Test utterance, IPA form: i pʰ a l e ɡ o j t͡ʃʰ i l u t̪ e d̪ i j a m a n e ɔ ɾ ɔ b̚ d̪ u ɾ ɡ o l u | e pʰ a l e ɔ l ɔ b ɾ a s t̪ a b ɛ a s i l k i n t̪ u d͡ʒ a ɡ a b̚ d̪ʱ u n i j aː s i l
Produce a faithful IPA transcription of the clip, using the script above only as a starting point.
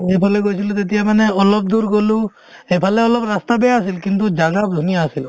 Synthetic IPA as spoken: e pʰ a l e ɡ o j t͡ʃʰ i l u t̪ e t̪ i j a m a n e ɔ l ɔ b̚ d̪ u ɾ ɡ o l u | e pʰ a l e ɔ l ɔ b ɾ a s t̪ a b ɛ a s i l k i n t̪ u d͡ʒ a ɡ a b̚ d̪ʱ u n i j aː s i l